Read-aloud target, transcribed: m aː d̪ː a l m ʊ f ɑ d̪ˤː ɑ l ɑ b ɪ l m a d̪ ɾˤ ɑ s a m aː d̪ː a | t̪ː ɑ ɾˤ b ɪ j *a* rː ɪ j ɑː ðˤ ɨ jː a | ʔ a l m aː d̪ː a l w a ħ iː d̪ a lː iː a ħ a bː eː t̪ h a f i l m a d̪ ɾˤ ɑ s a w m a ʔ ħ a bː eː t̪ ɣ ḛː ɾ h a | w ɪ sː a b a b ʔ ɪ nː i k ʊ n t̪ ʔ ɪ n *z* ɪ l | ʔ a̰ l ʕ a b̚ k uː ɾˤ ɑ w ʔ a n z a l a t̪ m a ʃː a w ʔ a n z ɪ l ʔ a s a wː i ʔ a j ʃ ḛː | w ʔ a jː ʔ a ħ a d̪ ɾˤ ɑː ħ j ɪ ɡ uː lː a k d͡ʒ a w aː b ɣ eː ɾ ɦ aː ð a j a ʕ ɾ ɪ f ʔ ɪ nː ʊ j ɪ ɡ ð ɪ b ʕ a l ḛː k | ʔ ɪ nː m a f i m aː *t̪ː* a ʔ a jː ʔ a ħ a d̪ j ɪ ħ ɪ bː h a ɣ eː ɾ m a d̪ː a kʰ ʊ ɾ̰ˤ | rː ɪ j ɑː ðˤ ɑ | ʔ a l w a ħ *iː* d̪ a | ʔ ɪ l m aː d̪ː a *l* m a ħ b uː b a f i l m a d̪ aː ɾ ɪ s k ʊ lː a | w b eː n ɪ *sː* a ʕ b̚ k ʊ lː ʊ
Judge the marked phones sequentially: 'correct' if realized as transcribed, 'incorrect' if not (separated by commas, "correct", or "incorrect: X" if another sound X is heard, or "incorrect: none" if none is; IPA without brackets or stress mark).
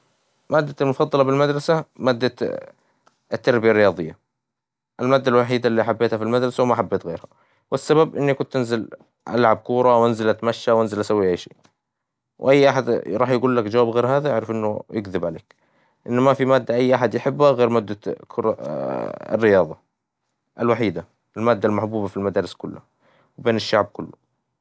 correct, correct, incorrect: d̪ː, correct, correct, incorrect: ʃː